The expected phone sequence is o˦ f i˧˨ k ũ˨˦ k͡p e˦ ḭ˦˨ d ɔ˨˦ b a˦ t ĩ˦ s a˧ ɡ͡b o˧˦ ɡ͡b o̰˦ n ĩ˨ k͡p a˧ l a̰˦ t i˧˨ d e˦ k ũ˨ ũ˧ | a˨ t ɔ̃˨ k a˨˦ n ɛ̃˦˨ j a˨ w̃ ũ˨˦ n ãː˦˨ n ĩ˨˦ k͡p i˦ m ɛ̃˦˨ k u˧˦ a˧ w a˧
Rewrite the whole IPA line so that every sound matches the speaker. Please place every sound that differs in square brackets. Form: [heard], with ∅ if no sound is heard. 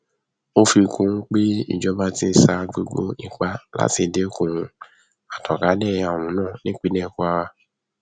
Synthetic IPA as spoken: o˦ f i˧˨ k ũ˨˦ k͡p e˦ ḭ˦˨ [d͡ʒ] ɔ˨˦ b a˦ t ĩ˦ s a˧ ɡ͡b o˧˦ ɡ͡b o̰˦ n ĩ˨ k͡p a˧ l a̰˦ t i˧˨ d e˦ k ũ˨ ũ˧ | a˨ t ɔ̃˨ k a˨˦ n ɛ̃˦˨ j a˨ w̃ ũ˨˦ n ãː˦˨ n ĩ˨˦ k͡p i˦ [n] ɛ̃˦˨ k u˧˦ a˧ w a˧